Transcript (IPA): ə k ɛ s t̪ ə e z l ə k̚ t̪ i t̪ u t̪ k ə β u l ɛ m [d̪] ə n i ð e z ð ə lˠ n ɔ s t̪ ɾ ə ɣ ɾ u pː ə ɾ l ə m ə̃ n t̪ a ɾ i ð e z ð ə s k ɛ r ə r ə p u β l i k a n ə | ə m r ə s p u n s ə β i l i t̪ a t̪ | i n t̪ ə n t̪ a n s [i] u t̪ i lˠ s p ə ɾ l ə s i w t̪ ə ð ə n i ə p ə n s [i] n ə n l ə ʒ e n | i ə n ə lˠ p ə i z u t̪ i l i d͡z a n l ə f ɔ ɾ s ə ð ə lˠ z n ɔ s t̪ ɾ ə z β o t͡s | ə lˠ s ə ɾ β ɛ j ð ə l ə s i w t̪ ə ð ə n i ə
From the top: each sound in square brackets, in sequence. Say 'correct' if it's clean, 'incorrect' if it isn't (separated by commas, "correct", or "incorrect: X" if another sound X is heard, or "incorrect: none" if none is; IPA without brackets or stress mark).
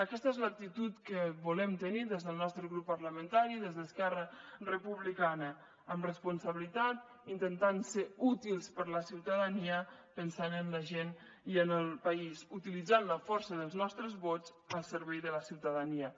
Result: incorrect: t̪, incorrect: e, incorrect: a